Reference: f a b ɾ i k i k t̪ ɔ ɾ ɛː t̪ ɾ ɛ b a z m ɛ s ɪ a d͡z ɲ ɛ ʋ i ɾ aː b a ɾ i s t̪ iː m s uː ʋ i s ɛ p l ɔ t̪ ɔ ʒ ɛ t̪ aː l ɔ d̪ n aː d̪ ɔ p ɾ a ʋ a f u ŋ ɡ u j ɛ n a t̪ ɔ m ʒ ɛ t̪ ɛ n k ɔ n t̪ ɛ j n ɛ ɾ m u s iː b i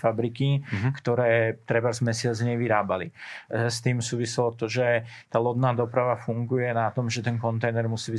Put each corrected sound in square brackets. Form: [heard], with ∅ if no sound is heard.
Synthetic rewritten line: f a b ɾ i k i k t̪ ɔ ɾ ɛː t̪ ɾ ɛ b a z m ɛ s ɪ a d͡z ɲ ɛ ʋ i ɾ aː b a [l] i s t̪ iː m s uː ʋ i s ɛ [∅] l ɔ t̪ ɔ ʒ ɛ t̪ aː l ɔ d̪ n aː d̪ ɔ p ɾ a ʋ a f u ŋ ɡ u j ɛ n a t̪ ɔ m ʒ ɛ t̪ ɛ n k ɔ n t̪ ɛ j n ɛ ɾ m u s iː b i